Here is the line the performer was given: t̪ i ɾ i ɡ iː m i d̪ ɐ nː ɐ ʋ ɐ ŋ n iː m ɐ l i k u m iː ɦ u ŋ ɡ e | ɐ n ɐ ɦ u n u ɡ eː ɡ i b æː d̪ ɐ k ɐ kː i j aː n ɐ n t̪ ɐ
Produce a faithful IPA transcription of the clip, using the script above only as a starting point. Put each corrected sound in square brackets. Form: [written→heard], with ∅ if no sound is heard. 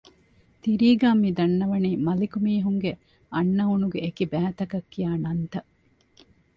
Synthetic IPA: t̪ i ɾ [i→iː] ɡ [iː→aː] m i d̪ ɐ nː ɐ ʋ ɐ [ŋ→∅] n iː m ɐ l i k u m iː ɦ u ŋ ɡ e | ɐ [n→nː] ɐ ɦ u n u ɡ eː [ɡ→k] i b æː [d̪→t̪] ɐ k ɐ kː i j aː n ɐ n t̪ ɐ